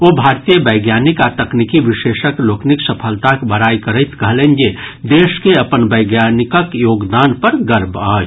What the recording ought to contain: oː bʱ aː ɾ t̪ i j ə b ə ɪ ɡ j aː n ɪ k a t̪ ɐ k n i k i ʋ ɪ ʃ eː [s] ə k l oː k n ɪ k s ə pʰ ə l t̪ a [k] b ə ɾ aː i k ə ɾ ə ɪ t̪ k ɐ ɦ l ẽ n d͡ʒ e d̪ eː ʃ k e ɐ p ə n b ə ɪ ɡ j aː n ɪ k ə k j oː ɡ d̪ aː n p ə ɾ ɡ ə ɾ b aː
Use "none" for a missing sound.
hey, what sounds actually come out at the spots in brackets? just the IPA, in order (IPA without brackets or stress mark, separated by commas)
ʃ, k